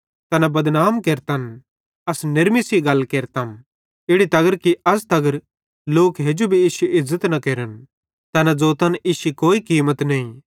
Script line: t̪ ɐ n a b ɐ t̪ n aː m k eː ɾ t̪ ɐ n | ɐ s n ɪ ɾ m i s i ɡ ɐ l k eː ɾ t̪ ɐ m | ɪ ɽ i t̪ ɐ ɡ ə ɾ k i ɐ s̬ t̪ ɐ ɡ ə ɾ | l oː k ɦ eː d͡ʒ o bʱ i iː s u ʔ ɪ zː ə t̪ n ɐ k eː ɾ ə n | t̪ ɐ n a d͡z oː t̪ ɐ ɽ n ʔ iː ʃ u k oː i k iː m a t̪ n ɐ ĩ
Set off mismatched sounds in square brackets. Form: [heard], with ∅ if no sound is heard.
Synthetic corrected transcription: t̪ ɐ n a b ɐ [d̪] n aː m k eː ɾ t̪ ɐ n | ɐ s n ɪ ɾ m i s i ɡ ɐ l k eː ɾ t̪ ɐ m | ɪ ɽ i t̪ ɐ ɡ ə ɾ k i ɐ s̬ t̪ ɐ ɡ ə ɾ | l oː k ɦ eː d͡ʒ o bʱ i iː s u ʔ ɪ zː ə t̪ n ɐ k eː ɾ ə n | t̪ ɐ n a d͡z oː t̪ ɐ [∅] n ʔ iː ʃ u k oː i k iː m [ə] t̪ n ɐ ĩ